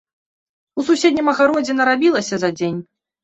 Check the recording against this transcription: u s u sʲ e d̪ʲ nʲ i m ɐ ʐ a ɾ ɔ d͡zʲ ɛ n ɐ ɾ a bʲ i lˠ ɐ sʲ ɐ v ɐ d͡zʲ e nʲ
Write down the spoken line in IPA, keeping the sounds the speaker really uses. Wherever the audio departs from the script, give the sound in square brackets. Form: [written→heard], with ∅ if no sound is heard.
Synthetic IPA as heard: u s u sʲ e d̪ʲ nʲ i m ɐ [ʐ→ɣ] a ɾ ɔ d͡zʲ ɛ n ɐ ɾ a bʲ i lˠ ɐ sʲ ɐ [v→z] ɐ d͡zʲ e nʲ